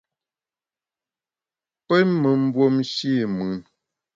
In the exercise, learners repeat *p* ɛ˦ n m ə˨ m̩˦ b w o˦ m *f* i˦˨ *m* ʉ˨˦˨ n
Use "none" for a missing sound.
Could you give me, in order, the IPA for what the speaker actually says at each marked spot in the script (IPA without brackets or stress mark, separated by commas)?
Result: p, ʃ, m